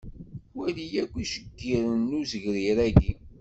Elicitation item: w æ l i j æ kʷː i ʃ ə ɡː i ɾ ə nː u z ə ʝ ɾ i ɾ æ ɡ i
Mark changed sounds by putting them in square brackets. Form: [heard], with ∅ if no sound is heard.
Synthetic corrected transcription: w æ l i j æ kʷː i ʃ ə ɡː i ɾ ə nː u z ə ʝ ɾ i ɾ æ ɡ i